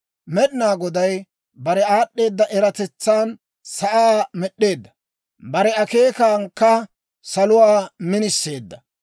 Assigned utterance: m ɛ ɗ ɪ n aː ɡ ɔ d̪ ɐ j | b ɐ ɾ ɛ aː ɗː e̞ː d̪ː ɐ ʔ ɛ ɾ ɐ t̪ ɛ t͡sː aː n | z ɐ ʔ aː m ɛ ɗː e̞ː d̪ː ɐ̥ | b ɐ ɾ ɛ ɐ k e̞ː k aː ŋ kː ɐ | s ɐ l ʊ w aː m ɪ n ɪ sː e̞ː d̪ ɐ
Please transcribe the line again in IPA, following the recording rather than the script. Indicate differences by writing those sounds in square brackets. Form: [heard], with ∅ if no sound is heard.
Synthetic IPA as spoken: m ɛ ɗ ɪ n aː ɡ ɔ d̪ ɐ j | b ɐ ɾ ɛ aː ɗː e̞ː d̪ː ɐ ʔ ɛ ɾ ɐ t̪ ɛ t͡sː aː n | [s] ɐ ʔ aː m ɛ ɗː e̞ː d̪ː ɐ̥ | b ɐ ɾ ɛ ɐ k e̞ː k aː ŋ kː ɐ | s ɐ l ʊ w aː m ɪ n ɪ sː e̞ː [d̪ː] ɐ